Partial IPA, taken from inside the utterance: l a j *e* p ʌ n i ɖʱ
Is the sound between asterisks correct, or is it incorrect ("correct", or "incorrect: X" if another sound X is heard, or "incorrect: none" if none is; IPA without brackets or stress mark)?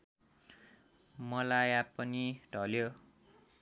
incorrect: a